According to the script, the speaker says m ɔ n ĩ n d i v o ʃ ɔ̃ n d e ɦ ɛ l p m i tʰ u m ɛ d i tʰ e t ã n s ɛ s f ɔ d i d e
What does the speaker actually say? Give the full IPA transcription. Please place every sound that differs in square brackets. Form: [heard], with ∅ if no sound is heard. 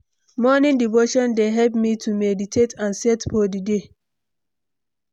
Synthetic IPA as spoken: m ɔ n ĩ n d i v o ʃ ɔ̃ n d e ɦ ɛ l p m i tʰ u m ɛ d i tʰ e t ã n s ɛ [t] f ɔ d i d e